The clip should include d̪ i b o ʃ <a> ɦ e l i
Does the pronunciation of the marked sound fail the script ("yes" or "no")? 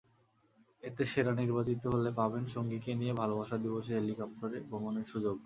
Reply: yes